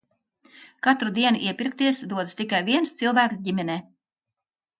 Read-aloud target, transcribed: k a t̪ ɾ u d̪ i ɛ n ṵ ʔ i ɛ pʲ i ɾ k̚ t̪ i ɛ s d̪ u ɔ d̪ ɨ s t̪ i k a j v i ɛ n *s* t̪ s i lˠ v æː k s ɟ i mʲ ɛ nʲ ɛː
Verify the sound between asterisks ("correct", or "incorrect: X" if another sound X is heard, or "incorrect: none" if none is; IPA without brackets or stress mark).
correct